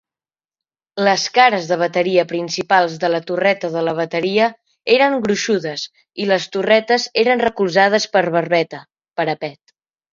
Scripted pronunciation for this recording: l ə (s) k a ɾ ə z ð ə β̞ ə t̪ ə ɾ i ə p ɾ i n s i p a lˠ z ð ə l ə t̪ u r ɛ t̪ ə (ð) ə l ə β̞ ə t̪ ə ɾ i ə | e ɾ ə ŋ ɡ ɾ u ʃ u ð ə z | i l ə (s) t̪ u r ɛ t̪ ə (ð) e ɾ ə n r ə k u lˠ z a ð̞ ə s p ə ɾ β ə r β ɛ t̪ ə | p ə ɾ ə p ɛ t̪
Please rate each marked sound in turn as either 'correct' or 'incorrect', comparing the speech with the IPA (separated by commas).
correct, correct, correct, incorrect